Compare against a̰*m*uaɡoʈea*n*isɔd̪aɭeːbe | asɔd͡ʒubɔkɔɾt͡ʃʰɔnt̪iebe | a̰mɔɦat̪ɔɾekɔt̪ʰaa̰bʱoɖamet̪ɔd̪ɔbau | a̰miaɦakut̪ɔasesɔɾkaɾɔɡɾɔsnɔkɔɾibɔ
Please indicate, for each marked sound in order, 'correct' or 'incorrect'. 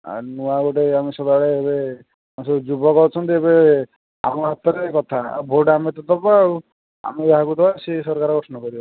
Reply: incorrect, incorrect

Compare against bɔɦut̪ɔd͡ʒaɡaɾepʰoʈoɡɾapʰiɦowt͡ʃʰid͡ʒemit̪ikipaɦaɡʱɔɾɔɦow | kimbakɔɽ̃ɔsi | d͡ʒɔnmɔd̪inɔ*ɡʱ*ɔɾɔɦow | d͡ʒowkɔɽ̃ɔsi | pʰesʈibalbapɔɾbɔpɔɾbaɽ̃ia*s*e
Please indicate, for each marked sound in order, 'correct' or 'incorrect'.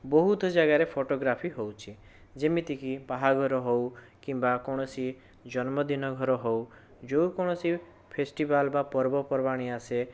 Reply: correct, correct

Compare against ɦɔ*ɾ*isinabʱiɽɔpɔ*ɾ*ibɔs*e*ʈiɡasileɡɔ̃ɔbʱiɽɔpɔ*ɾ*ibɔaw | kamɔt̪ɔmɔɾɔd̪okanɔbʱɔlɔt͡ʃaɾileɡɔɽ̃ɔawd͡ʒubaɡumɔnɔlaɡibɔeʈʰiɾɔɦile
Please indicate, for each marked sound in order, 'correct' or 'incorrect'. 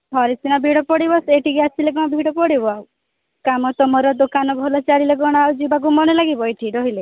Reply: correct, incorrect, correct, incorrect

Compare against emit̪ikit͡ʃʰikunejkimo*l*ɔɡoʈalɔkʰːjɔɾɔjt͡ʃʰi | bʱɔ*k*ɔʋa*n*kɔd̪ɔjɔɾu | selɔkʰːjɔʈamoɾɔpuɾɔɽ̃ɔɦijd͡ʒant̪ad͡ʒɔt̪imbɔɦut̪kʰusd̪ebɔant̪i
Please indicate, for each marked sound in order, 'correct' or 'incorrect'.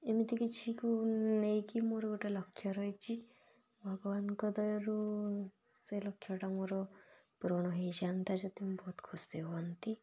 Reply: incorrect, incorrect, correct

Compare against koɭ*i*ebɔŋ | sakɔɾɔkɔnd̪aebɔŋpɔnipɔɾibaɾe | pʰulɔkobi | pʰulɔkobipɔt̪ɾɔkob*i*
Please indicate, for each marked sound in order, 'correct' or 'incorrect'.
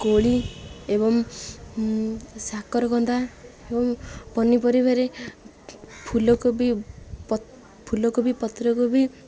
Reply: correct, correct

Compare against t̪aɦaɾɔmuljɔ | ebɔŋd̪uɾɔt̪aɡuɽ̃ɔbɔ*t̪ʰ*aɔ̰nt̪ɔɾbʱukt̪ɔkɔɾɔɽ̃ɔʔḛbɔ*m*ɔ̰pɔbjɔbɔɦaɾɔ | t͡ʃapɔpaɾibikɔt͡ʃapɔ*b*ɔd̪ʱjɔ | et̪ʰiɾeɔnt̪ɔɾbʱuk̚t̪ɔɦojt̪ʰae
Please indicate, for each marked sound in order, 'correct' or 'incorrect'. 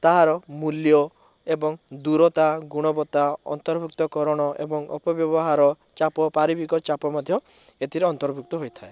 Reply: incorrect, incorrect, incorrect

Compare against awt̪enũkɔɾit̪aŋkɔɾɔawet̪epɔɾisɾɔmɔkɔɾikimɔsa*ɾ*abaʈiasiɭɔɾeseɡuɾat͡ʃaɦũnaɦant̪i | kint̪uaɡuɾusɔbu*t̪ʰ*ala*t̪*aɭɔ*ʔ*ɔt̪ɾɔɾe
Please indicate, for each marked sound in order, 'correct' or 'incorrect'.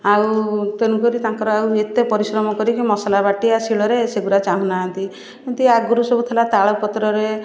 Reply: incorrect, correct, correct, incorrect

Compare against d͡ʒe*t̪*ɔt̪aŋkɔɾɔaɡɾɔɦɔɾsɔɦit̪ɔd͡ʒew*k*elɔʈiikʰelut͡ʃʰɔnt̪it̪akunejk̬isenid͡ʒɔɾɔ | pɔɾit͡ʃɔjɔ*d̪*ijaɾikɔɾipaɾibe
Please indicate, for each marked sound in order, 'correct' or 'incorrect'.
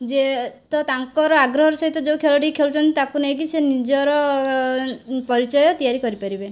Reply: correct, incorrect, incorrect

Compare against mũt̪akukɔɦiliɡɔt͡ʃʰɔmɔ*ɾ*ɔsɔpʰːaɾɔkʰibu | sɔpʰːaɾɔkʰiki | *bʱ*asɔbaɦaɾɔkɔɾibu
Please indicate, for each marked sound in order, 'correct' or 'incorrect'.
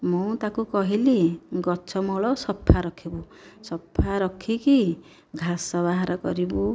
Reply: incorrect, incorrect

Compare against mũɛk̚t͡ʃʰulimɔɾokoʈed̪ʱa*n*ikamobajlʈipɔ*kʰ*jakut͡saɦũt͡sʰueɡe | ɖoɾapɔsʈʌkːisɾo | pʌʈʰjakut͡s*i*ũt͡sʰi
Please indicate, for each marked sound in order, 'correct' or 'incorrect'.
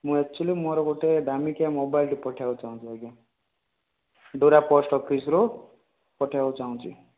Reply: incorrect, incorrect, incorrect

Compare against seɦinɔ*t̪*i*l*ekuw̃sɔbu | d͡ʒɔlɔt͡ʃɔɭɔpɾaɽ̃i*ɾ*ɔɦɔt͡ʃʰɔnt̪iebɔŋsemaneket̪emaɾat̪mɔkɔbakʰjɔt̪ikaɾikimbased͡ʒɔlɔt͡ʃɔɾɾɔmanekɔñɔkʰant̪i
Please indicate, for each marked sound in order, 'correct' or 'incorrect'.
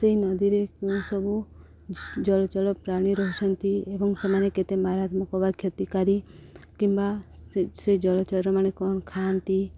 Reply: incorrect, incorrect, correct

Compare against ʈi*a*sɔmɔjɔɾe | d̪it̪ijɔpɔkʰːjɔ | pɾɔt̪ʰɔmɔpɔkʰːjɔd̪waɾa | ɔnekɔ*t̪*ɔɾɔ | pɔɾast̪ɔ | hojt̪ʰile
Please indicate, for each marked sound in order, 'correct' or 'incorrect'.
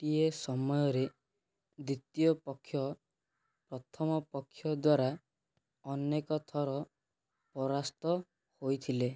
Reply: incorrect, incorrect

